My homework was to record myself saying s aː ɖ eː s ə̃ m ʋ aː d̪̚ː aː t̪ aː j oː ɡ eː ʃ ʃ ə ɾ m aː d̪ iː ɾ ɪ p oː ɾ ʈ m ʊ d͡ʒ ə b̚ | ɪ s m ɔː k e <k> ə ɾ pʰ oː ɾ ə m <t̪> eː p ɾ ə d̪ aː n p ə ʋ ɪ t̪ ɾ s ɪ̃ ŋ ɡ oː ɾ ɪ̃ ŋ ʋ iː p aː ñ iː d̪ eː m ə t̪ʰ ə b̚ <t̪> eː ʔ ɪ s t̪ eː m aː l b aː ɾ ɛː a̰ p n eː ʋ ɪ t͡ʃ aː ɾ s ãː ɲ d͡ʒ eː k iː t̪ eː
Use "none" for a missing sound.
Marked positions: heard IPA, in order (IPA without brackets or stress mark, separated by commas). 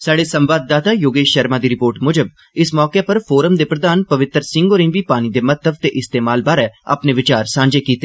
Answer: p, d̪, t̪